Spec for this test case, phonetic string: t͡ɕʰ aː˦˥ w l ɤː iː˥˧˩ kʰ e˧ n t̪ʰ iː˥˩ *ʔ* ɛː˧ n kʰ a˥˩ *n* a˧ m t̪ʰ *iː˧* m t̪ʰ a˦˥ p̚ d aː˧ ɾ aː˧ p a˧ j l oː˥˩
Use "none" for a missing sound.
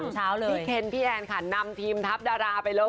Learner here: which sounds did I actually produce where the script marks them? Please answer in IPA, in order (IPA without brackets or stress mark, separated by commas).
ʔ, n, iː˧